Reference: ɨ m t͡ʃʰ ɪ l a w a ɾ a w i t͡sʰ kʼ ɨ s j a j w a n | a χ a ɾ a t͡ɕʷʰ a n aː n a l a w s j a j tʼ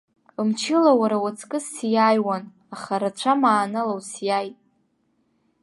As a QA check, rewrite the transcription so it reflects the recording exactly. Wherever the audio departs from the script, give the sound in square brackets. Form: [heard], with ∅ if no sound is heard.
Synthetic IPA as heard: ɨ m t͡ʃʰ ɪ l a w a ɾ a w [a] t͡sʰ kʼ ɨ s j a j w a n | a χ a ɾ a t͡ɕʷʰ a [m] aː n a l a w s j a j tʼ